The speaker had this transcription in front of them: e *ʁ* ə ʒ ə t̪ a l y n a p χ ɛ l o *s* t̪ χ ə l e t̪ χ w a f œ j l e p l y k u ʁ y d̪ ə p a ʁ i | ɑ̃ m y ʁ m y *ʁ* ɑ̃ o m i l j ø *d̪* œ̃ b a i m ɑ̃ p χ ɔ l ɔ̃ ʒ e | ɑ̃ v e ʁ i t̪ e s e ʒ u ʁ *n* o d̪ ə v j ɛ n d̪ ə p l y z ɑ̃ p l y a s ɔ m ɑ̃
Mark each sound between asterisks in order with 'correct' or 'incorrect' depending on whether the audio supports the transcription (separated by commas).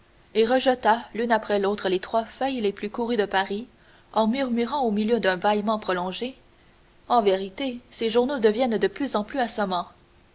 correct, incorrect, correct, correct, correct